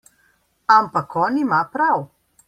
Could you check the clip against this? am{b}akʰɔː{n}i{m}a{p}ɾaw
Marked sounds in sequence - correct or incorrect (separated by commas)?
incorrect, correct, correct, correct